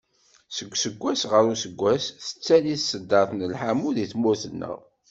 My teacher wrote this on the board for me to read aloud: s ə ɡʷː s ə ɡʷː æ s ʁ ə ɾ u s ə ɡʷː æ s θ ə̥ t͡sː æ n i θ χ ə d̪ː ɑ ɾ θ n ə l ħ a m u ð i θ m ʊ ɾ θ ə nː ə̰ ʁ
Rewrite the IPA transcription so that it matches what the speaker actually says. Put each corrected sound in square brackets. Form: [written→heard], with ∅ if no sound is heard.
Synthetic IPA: s ə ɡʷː s ə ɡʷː æ s ʁ ə ɾ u s ə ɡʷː æ s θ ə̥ t͡sː æ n i θ [χ→s] ə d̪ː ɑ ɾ θ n ə l ħ a m u ð i θ m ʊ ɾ θ ə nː ə̰ ʁ